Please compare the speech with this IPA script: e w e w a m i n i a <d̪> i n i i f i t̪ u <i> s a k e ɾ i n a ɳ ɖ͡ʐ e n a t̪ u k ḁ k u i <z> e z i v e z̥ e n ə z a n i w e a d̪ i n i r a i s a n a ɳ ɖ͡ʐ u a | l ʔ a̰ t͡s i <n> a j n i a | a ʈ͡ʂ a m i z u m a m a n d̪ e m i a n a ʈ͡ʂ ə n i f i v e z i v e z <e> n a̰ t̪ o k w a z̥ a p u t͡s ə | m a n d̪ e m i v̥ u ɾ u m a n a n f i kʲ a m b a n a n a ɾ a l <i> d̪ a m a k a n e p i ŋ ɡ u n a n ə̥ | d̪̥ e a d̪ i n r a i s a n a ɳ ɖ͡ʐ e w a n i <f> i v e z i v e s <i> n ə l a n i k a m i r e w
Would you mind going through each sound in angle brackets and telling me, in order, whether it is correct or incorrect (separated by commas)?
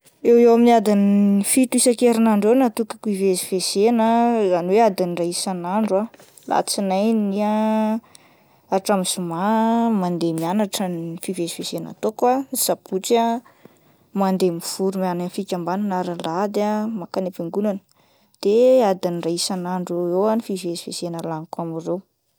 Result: correct, correct, incorrect, correct, correct, incorrect, correct, incorrect